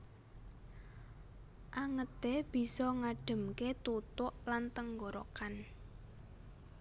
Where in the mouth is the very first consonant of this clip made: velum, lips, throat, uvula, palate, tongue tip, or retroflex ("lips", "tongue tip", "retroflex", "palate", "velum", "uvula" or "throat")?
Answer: throat